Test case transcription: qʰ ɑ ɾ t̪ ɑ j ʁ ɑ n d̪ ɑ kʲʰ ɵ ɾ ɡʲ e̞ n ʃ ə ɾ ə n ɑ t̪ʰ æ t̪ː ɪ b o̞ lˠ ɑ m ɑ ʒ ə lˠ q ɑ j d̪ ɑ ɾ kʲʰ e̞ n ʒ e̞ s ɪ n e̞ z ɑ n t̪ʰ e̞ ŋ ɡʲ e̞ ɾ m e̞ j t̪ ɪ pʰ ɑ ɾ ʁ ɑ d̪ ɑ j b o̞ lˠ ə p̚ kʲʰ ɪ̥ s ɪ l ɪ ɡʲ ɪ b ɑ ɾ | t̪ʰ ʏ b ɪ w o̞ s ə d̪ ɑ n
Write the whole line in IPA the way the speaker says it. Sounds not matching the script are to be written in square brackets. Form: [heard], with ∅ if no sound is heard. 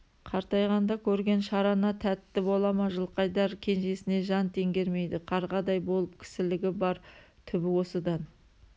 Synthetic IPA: qʰ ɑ ɾ t̪ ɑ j ʁ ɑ n d̪ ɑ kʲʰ ɵ ɾ ɡʲ e̞ n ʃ [ɑ] ɾ [ɑ] n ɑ t̪ʰ æ t̪ː ɪ b o̞ lˠ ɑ m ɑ ʒ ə lˠ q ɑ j d̪ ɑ ɾ kʲʰ e̞ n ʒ e̞ s ɪ n e̞ [ʒ] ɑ n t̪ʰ e̞ ŋ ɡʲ e̞ ɾ m e̞ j [d̪] ɪ [qʰ] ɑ ɾ ʁ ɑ d̪ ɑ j b o̞ lˠ ə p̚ kʲʰ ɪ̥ s ɪ l ɪ ɡʲ ɪ b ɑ ɾ | t̪ʰ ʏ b ɪ w o̞ s ə d̪ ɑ n

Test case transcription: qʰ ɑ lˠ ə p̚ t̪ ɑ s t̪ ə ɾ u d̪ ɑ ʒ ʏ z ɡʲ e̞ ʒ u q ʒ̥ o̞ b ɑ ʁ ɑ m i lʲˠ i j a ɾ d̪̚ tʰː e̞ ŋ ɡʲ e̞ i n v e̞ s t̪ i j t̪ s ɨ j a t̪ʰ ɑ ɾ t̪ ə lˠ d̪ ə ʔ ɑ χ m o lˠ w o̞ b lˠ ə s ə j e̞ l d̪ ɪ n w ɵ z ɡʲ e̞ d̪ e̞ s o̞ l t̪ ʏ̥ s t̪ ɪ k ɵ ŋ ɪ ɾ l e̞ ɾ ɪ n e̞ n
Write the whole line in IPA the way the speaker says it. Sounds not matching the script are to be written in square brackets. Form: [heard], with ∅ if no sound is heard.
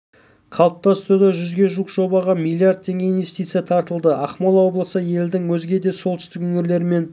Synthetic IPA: qʰ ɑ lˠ ə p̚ t̪ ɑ s t̪ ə ɾ u d̪ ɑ ʒ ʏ z ɡʲ e̞ ʒ u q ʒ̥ o̞ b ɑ ʁ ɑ m i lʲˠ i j a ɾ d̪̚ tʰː e̞ ŋ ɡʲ e̞ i n v e̞ s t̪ i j t̪ s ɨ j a t̪ʰ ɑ ɾ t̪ ə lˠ d̪ ə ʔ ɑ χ m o lˠ w o̞ b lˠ ə s ə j e̞ l d̪ ɪ [ŋ] w ɵ z ɡʲ e̞ d̪ e̞ s o̞ l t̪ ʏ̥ s t̪ ɪ k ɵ ŋ ɪ ɾ l e̞ ɾ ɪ [m] e̞ n

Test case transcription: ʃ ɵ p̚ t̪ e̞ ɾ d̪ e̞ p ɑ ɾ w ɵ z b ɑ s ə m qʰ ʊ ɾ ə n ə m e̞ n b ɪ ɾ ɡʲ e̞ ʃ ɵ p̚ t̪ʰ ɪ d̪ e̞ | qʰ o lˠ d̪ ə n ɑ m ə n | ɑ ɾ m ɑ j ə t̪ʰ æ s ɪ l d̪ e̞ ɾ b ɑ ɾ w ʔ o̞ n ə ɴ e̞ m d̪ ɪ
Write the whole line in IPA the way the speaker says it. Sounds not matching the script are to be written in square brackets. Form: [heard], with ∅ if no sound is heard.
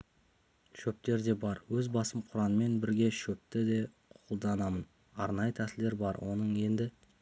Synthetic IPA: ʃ ɵ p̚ t̪ e̞ ɾ d̪ e̞ [b] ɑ ɾ w ɵ z b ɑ s ə m qʰ ʊ ɾ [ɑ] n ə m e̞ n b ɪ ɾ ɡʲ e̞ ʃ ɵ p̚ [t̪] ɪ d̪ e̞ | qʰ o lˠ d̪ [ɑ] n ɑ m ə n | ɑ ɾ [n] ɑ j ə t̪ʰ æ s ɪ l d̪ e̞ ɾ b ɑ ɾ w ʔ o̞ n ə ɴ e̞ [n] d̪ ɪ

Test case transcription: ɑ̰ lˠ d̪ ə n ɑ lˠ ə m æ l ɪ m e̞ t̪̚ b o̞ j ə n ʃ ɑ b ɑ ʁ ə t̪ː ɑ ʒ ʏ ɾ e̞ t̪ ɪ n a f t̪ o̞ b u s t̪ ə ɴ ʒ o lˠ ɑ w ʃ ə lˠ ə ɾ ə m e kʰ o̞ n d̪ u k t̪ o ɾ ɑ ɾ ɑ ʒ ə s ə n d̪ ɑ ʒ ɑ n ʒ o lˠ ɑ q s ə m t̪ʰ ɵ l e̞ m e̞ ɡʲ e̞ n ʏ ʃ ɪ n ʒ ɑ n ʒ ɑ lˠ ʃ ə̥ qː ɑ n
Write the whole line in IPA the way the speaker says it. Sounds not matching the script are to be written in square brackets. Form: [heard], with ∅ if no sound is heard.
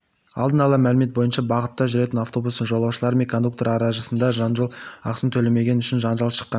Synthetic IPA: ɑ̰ lˠ d̪ ə n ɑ lˠ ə m æ l ɪ m e̞ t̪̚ b o̞ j ə n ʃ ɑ b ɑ ʁ ə t̪ː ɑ ʒ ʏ ɾ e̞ t̪ ɪ n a f t̪ o̞ b u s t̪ ə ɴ ʒ o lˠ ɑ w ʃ ə lˠ [ɑ] ɾ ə m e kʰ o̞ n d̪ u k t̪ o ɾ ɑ ɾ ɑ ʒ ə s ə n d̪ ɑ ʒ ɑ n ʒ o lˠ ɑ q s ə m t̪ʰ ɵ l e̞ m e̞ ɡʲ e̞ n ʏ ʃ ɪ n ʒ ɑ n ʒ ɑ lˠ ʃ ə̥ qː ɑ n

